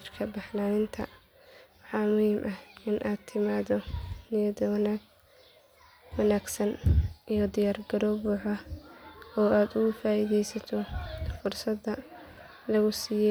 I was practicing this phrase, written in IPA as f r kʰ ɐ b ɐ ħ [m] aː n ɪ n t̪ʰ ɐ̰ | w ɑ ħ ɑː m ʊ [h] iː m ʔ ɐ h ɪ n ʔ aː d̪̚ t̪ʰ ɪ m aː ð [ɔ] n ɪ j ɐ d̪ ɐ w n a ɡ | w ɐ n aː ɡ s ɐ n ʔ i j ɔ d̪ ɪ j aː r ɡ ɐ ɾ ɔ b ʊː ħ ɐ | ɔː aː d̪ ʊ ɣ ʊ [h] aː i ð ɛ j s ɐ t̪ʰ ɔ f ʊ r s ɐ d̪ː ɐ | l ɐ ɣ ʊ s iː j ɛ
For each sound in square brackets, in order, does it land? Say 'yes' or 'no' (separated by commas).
no, yes, yes, no